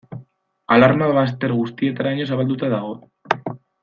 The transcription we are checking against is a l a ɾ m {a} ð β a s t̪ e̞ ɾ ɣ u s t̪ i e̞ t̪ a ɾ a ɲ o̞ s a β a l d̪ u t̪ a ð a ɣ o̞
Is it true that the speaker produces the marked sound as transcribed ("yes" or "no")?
yes